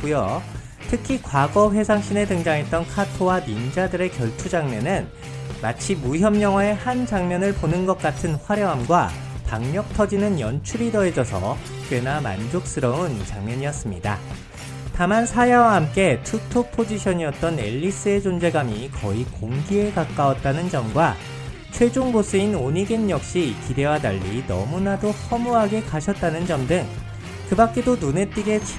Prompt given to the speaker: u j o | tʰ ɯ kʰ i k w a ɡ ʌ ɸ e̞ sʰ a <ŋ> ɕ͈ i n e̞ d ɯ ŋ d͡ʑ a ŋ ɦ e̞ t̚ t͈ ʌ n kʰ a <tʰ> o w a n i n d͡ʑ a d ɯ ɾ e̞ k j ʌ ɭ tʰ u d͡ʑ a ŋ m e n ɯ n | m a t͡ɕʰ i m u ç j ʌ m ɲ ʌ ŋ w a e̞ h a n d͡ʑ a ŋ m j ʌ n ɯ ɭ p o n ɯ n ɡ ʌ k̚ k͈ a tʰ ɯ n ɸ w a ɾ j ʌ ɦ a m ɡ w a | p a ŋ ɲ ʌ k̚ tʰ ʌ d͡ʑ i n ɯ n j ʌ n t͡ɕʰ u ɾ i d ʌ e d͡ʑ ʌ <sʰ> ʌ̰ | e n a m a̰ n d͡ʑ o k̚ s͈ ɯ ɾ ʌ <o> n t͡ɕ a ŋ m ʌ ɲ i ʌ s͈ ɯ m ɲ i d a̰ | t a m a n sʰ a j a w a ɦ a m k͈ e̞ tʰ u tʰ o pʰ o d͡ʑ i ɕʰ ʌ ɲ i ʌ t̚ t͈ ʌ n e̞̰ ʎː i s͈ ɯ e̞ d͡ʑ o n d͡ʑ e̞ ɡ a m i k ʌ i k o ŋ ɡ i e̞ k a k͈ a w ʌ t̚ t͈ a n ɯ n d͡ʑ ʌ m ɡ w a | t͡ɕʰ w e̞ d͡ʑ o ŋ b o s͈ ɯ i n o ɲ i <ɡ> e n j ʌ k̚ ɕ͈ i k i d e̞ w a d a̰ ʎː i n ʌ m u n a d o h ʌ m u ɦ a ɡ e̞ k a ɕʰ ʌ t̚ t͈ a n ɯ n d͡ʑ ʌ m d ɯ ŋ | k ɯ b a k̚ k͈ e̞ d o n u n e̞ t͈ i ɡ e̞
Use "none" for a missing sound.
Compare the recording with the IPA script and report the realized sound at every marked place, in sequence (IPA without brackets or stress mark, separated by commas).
ŋ, tʰ, sʰ, u, ɡ